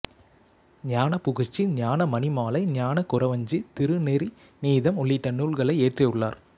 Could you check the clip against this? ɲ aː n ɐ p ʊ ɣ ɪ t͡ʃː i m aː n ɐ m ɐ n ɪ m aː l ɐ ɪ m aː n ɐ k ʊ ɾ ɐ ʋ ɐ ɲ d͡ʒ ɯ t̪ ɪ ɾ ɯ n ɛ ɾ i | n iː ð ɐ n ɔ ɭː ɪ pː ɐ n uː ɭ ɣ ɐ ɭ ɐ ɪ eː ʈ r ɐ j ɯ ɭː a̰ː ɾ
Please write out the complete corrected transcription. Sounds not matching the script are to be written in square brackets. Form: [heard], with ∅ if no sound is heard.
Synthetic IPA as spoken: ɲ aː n ɐ p ʊ ɣ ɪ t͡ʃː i [ɲ] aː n ɐ m ɐ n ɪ m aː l ɐ ɪ [ɲ] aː n ɐ k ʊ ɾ ɐ ʋ ɐ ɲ d͡ʒ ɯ t̪ ɪ ɾ ɯ n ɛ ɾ i | n iː ð ɐ [m] ɔ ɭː ɪ [ʈː] ɐ n uː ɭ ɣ ɐ ɭ ɐ ɪ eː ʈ r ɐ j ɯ ɭː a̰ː ɾ